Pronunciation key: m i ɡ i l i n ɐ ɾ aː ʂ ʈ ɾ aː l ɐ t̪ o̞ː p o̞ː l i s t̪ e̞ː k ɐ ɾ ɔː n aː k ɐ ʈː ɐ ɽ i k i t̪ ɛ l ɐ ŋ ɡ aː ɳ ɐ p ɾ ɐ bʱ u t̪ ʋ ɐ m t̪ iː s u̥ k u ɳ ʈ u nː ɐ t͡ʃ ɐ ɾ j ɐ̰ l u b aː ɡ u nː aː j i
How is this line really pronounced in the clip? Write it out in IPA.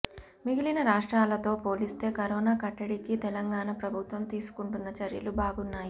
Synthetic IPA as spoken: m i ɡ i l i n ɐ ɾ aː ʂ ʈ ɾ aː l ɐ t̪ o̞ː p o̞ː l i s t̪ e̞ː k ɐ ɾ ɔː n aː k ɐ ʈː ɐ ɽ i k i t̪ ɛ l ɐ ŋ ɡ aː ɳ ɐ p ɾ ɐ bʱ u t̪ ʋ ɐ m t̪ iː s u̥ k u ɳ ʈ u nː ɐ t͡ʃ ɐ ɾ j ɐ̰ l u b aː ɡ u nː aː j i

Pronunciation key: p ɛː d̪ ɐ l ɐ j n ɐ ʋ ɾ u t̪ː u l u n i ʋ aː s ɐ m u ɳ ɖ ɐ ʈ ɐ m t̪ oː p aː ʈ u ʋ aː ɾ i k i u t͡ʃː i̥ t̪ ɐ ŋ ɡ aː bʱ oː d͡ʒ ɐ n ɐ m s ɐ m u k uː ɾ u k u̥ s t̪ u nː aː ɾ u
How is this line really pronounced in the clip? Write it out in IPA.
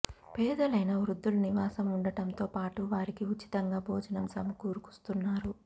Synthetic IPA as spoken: p ɛː d̪ ɐ l ɐ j n ɐ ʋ ɾ u d̪ː u l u n i ʋ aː s ɐ m u ɳ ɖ ɐ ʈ ɐ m t̪ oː p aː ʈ u ʋ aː ɾ i k i u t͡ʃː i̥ t̪ ɐ ŋ ɡ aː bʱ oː d͡ʒ ɐ n ɐ m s ɐ m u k uː ɾ u k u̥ s t̪ u nː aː ɾ u

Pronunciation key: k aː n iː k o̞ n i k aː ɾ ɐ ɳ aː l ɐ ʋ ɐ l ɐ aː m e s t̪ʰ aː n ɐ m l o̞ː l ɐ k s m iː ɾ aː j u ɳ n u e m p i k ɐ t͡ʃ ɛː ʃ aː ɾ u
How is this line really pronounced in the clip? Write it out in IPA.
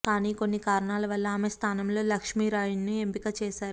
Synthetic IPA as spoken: k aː n iː k o̞ nː i k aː ɾ ɐ ɳ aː l ɐ ʋ ɐ lː ɐ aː m e s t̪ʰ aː n ɐ m l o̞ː l ɐ k ʂ m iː ɾ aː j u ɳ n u e m p i k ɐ t͡ʃ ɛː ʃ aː ɾ u

